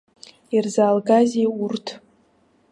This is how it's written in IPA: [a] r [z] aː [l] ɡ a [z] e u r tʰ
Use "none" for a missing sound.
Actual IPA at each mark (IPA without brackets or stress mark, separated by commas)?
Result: i, z, l, z